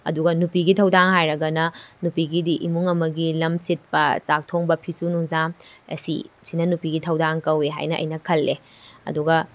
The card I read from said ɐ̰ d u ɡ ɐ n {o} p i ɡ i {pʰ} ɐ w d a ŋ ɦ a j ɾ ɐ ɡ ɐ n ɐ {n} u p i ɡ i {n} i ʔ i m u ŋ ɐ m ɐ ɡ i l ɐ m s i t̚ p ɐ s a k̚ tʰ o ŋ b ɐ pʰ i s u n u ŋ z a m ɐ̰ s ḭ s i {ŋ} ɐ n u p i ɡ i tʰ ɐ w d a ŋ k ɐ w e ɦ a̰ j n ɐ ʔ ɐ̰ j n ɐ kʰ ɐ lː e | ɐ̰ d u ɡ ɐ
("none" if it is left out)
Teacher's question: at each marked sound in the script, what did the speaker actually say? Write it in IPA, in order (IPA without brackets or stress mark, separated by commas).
u, tʰ, n, d, n